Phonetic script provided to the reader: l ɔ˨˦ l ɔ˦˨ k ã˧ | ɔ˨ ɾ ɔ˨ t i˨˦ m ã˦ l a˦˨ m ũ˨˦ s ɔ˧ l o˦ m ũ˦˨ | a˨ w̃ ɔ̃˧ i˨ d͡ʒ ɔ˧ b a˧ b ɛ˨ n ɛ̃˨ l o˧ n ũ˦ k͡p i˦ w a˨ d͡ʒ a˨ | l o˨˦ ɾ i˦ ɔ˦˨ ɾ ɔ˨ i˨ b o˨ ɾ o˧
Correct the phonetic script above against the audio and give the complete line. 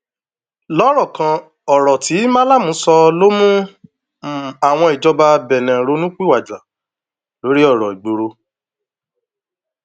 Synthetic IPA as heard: l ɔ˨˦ ɾ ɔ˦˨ k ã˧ | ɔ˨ ɾ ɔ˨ t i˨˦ m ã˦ l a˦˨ m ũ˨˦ s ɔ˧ l o˦ m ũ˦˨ | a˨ w̃ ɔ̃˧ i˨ d͡ʒ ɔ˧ b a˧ b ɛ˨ n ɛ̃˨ ɾ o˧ n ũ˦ k͡p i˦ w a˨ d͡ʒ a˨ | l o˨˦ ɾ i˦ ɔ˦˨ ɾ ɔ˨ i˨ ɡ͡b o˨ ɾ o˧